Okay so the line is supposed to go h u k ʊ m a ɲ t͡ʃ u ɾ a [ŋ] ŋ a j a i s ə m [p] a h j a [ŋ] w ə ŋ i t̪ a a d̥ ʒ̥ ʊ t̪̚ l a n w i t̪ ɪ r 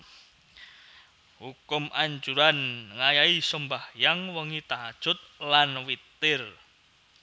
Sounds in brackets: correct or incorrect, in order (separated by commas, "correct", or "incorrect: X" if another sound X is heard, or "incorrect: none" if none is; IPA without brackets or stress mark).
incorrect: n, incorrect: b, correct